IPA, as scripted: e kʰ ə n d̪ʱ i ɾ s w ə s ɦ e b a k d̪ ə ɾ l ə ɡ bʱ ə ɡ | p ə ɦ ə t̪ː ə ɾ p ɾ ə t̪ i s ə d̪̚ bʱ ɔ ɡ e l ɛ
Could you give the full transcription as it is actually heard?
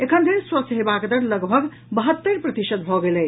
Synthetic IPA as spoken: e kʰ ə n d̪ʱ i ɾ s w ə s ɦ e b a k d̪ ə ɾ l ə ɡ bʱ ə ɡ | b ə ɦ ə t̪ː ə ɾ p ɾ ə t̪ i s ə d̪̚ bʱ ɔ ɡ e l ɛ